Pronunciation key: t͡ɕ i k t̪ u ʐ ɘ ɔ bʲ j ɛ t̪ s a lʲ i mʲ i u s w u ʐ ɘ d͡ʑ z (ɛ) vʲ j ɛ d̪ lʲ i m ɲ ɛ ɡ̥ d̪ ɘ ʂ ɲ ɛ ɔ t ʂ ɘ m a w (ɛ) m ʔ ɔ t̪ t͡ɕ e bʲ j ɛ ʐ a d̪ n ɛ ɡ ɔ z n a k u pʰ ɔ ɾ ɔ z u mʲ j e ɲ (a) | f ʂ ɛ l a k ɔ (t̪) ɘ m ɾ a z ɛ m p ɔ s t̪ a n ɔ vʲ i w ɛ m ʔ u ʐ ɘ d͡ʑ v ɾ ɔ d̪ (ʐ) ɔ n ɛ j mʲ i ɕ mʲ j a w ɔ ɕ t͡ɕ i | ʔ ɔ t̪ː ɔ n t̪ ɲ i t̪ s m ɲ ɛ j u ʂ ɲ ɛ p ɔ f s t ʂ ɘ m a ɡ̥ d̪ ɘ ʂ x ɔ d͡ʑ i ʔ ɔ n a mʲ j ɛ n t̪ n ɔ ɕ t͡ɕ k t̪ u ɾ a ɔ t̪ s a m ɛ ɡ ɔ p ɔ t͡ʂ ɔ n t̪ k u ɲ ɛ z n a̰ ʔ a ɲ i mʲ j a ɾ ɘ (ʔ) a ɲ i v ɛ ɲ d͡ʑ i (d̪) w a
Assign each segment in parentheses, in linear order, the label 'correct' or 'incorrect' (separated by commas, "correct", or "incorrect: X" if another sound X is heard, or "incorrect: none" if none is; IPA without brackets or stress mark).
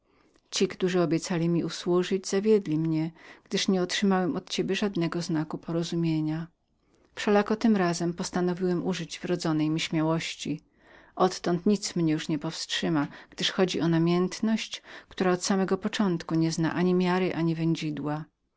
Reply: incorrect: a, correct, correct, correct, incorrect: z, correct, correct